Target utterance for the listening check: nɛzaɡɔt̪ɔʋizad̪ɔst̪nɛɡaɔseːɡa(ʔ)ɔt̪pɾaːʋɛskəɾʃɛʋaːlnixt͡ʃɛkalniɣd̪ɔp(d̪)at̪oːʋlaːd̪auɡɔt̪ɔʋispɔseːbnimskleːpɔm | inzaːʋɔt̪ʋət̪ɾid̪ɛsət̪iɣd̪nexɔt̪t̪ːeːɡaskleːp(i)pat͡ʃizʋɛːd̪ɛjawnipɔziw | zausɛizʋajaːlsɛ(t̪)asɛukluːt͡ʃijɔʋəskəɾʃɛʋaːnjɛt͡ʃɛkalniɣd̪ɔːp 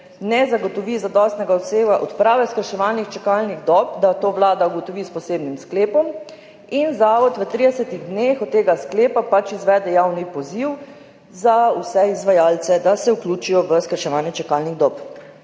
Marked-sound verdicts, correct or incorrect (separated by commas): correct, correct, incorrect, incorrect